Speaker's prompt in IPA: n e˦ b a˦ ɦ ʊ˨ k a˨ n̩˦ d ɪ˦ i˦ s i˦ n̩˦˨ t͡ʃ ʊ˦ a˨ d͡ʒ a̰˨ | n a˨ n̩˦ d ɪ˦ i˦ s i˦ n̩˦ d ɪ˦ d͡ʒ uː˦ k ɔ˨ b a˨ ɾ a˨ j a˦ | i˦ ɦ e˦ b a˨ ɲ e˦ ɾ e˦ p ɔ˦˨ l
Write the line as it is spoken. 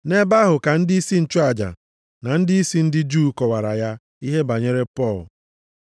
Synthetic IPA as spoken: n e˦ b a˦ ɦ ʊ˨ k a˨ n̩˦ d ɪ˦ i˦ s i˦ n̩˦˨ t͡ʃ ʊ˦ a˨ d͡ʒ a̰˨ | n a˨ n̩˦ d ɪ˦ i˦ s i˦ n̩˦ d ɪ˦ d͡ʒ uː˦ k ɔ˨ w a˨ ɾ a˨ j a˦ | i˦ ɦ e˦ b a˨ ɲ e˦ ɾ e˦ p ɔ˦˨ l